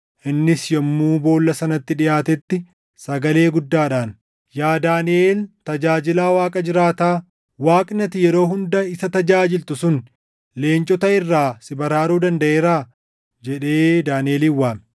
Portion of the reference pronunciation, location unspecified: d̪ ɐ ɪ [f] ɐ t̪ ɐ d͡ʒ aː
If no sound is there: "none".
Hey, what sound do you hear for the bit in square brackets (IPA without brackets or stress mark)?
s